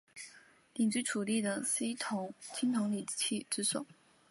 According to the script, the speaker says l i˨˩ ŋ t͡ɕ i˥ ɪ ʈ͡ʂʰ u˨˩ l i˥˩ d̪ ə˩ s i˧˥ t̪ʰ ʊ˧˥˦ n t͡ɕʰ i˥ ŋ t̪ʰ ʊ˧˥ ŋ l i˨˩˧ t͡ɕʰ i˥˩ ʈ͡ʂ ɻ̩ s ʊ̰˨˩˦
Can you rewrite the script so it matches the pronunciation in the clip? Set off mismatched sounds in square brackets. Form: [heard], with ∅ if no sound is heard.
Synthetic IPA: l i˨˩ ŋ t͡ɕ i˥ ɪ ʈ͡ʂʰ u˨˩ l i˥˩ d̪ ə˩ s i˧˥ t̪ʰ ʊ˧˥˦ [ŋ] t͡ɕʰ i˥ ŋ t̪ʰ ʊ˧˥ ŋ l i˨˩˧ t͡ɕʰ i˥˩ ʈ͡ʂ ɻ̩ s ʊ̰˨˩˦